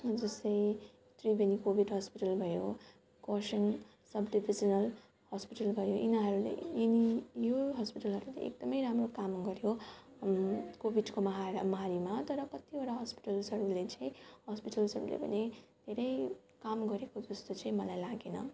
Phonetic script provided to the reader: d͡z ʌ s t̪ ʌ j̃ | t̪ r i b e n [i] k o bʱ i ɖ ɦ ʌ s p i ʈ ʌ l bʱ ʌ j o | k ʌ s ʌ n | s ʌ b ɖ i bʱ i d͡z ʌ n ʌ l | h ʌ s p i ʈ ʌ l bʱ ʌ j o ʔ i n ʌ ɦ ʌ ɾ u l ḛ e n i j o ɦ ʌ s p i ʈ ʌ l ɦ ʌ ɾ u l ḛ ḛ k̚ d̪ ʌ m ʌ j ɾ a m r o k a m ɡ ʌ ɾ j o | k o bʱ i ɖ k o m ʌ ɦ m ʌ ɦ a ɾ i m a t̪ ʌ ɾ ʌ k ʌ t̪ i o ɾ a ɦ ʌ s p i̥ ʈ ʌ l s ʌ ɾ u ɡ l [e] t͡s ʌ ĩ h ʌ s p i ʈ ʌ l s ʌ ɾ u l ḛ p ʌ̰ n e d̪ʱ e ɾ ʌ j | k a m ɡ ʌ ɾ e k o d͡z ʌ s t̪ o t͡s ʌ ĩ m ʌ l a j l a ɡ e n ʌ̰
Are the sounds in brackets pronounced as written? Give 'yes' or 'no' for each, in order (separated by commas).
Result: yes, yes